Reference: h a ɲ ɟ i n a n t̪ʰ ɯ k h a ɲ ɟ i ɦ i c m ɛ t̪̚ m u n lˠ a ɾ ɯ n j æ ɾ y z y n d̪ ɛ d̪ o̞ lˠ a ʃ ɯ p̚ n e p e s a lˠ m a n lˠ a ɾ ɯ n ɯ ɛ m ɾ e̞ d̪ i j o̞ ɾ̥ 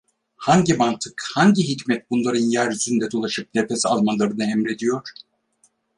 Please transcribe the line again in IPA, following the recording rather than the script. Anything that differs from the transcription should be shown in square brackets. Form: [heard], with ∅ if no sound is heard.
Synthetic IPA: h a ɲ ɟ i [m] a n t̪ʰ ɯ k h a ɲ ɟ i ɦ i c m ɛ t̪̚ [b] u n lˠ a ɾ ɯ n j æ ɾ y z y n d̪ ɛ d̪ o̞ lˠ a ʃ ɯ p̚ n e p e s a lˠ m a n lˠ a ɾ ɯ n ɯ ɛ m ɾ e̞ d̪ i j o̞ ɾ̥